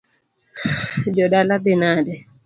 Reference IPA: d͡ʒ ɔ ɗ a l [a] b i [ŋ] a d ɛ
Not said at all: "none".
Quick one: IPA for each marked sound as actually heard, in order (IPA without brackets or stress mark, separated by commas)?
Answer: a, n